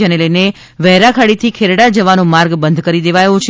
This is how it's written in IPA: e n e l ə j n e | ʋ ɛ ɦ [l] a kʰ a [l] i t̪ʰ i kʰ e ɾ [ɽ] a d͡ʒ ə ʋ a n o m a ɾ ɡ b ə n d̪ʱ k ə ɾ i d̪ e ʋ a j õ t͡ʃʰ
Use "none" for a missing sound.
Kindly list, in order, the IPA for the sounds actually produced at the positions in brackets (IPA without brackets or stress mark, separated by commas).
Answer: ɾ, ɽ, ɽ